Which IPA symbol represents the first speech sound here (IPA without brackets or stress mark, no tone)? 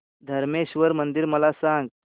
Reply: d̪ʱ